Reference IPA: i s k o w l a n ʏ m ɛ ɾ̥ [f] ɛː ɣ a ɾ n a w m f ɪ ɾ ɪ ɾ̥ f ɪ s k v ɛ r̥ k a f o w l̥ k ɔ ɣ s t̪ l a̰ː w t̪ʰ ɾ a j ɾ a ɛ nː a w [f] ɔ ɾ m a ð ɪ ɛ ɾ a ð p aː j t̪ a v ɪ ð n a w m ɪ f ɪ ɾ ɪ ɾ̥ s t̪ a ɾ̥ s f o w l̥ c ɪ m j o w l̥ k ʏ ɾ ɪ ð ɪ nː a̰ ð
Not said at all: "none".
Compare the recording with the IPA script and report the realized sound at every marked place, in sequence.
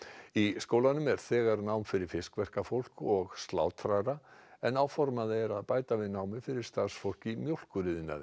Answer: θ, f

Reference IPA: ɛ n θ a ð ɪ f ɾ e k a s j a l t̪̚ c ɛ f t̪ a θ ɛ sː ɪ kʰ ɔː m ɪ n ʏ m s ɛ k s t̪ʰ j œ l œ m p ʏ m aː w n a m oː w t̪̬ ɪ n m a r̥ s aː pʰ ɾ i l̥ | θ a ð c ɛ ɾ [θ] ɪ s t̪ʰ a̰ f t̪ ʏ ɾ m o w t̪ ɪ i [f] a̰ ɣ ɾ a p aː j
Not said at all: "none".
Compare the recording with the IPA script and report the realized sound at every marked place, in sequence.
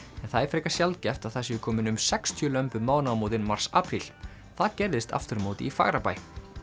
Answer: ð, f

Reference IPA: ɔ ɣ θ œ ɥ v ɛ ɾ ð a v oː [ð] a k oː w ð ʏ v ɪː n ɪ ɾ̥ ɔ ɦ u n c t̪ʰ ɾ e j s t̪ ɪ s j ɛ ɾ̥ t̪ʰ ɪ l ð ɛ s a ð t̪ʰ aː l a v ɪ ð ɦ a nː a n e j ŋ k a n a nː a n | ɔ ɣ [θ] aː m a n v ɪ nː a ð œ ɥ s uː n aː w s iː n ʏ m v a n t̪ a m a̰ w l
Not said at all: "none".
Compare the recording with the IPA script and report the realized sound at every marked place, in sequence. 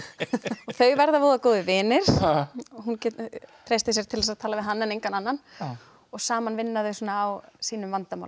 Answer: ð, s

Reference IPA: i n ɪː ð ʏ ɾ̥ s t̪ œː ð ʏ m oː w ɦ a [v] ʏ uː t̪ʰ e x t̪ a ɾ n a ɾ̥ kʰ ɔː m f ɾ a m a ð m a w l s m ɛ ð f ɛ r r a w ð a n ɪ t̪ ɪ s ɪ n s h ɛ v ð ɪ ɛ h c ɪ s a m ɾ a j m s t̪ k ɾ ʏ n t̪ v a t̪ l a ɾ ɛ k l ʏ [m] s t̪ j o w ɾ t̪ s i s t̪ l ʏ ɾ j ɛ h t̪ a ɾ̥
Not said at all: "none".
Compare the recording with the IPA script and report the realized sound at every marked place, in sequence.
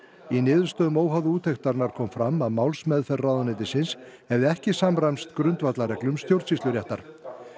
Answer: ð, m

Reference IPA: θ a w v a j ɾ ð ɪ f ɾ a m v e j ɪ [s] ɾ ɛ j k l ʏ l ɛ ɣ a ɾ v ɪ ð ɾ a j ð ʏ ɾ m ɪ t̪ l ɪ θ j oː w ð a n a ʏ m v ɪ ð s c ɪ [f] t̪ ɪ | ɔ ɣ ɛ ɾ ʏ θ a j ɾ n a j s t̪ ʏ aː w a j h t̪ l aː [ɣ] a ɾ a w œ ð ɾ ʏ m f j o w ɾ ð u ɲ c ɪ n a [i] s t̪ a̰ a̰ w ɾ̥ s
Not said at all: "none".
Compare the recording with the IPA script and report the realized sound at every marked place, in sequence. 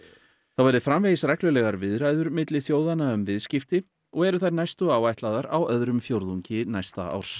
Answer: s, f, ð, j

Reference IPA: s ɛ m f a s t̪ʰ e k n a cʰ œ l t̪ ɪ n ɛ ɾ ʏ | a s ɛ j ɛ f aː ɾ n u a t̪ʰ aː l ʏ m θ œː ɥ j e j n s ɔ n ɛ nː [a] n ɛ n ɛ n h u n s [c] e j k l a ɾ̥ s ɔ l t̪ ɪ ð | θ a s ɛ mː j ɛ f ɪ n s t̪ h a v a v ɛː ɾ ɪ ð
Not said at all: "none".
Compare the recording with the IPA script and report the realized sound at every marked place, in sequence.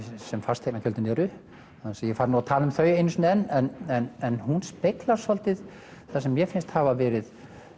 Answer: ɛ, p

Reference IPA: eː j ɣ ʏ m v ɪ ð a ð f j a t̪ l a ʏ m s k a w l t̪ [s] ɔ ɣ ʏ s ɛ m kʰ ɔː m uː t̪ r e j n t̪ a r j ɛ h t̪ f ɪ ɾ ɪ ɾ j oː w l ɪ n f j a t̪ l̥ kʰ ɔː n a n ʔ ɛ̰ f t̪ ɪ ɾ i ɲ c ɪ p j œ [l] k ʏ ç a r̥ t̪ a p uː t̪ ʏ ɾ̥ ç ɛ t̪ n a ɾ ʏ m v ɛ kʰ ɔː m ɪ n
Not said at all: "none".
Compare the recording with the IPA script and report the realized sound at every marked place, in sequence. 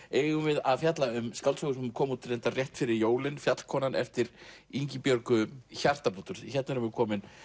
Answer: s, ɾ

